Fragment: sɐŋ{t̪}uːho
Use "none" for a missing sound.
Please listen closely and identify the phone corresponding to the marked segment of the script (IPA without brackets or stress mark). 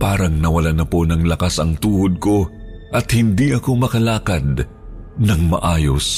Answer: t̪